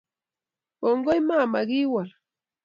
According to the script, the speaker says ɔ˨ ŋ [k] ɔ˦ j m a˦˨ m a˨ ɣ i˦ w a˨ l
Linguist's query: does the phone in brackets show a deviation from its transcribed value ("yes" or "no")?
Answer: yes